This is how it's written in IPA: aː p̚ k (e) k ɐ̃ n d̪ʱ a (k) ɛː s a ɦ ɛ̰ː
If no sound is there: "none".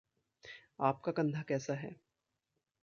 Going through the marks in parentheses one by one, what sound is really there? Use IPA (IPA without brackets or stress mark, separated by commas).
a, k